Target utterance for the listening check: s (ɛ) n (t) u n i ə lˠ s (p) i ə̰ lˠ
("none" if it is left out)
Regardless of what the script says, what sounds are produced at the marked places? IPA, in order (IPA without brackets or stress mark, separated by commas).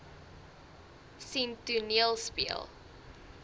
i, t, p